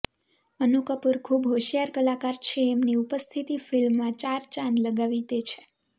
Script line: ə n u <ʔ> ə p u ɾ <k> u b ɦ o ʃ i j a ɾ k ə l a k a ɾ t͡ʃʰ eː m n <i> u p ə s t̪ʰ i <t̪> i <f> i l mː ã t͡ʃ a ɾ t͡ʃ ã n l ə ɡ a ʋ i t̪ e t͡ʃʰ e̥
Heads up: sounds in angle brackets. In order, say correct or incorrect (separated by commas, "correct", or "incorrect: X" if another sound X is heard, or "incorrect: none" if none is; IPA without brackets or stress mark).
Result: incorrect: k, incorrect: kʰ, correct, correct, correct